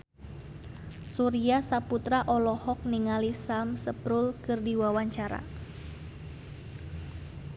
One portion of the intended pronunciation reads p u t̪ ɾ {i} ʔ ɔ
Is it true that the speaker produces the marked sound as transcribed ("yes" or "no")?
no